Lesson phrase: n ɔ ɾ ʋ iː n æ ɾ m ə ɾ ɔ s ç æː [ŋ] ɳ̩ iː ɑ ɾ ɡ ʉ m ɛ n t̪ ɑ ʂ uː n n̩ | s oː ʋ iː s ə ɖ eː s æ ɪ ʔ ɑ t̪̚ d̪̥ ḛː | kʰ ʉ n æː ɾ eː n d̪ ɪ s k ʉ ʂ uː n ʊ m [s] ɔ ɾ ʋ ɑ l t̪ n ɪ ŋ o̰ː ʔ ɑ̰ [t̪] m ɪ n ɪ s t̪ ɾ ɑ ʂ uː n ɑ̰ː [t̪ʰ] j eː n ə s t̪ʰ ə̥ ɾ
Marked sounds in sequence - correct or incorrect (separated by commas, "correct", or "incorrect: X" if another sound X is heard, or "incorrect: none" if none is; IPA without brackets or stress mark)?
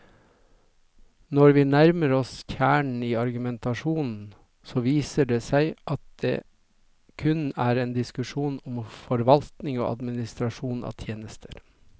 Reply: incorrect: ɳ, incorrect: f, incorrect: d̪, correct